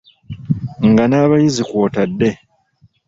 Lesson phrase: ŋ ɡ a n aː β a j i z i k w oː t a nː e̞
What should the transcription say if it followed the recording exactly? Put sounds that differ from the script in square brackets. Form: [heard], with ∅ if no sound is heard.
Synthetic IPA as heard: ŋ ɡ a n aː β a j i z i k w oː t a [dː] e̞